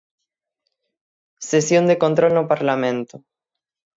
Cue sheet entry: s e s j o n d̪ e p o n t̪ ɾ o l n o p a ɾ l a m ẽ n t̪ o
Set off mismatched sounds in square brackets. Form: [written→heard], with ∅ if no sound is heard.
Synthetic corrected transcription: s e s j o n d̪ e [p→k] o n t̪ ɾ o l n o p a ɾ l a m ẽ n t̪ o